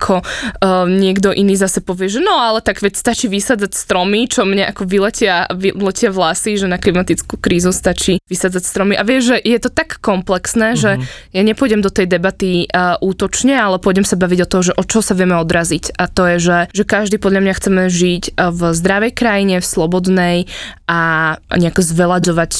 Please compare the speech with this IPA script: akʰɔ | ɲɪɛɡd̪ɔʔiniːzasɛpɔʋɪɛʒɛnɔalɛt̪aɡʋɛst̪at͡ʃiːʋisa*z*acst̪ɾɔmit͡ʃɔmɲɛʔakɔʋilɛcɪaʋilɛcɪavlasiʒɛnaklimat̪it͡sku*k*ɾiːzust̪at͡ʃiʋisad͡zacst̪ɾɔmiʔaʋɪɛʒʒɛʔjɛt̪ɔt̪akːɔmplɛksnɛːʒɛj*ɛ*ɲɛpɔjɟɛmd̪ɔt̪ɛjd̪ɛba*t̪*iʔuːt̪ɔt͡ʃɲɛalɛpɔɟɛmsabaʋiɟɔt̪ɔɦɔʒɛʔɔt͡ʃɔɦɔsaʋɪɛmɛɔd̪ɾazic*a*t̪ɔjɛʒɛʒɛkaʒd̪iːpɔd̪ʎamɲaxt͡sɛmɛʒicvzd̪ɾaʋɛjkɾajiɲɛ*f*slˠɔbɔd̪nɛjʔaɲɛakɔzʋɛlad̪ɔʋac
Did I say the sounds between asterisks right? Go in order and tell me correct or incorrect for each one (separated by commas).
incorrect, correct, incorrect, correct, correct, correct